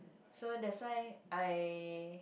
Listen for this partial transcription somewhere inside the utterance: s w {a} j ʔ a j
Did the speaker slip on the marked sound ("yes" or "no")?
no